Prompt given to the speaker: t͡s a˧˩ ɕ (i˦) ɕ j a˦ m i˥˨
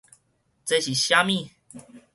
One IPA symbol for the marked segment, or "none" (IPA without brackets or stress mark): i˨˩